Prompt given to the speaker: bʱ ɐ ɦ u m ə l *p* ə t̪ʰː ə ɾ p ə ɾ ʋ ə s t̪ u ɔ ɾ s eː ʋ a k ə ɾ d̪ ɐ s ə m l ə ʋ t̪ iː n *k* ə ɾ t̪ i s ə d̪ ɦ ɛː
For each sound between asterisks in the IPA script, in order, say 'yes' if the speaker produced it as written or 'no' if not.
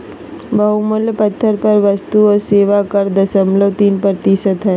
yes, no

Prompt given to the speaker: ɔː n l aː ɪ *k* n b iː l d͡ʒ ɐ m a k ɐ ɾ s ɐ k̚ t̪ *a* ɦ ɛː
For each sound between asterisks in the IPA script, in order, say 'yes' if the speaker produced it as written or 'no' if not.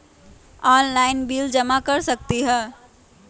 no, no

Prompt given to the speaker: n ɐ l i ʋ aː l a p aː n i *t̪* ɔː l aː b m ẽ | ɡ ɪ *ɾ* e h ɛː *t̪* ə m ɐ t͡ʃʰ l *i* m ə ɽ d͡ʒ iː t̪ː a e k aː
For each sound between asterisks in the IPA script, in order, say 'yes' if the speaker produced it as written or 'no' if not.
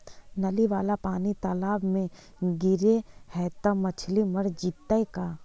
yes, yes, yes, yes

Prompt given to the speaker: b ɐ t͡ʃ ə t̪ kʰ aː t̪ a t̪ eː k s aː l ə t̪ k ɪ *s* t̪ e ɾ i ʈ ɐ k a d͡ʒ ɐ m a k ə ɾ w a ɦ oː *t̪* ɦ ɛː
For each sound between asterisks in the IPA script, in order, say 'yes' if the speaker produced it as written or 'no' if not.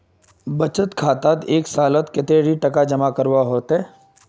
no, yes

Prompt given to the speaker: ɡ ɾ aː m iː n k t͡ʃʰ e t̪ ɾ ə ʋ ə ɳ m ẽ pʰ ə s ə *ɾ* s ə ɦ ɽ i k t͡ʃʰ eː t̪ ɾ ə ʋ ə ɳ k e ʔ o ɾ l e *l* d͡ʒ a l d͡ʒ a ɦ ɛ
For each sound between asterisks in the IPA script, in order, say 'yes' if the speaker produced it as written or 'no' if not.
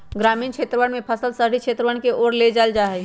no, no

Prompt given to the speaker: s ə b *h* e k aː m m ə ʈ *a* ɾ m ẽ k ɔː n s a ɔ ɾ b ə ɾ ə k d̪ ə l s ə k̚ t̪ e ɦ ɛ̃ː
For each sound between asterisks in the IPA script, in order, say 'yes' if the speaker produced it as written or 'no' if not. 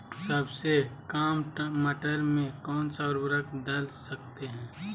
no, no

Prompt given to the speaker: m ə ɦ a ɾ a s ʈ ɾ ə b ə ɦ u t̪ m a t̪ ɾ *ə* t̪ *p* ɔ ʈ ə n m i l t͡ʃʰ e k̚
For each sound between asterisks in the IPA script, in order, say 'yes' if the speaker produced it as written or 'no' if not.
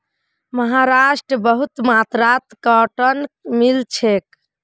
no, no

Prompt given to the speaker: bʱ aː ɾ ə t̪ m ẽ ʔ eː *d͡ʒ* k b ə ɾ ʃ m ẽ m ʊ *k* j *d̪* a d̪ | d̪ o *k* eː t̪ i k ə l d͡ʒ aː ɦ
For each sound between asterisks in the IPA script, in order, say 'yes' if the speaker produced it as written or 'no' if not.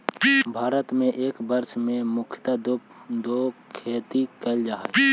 no, no, no, no

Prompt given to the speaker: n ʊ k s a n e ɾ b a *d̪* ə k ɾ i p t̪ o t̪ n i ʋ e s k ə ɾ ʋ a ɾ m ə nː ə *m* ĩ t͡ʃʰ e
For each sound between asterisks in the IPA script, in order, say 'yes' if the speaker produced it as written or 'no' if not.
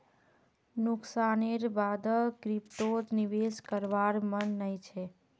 yes, no

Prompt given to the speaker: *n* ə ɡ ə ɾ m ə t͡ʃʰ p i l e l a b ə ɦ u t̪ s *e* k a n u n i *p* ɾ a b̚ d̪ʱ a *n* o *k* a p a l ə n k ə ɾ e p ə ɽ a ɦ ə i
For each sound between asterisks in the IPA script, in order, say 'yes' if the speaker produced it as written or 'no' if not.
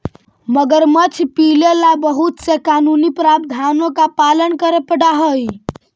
no, yes, yes, yes, yes

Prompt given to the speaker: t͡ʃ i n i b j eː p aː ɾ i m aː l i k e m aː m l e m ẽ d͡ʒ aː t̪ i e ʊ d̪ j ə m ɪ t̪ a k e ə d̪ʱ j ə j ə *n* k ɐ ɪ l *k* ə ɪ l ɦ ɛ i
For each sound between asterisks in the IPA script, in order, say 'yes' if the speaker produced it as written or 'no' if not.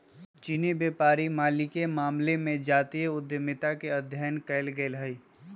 yes, no

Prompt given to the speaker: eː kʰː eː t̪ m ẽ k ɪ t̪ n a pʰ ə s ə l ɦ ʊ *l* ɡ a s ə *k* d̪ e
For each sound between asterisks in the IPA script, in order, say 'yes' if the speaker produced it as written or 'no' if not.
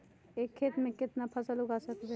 no, yes

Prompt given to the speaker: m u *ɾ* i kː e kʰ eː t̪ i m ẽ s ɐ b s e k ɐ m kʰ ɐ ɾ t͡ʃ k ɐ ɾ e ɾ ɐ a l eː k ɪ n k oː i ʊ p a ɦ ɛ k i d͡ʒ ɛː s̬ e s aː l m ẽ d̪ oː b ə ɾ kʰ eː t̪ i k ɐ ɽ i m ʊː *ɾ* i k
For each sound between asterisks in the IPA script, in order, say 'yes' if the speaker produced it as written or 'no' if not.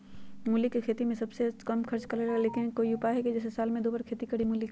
no, no

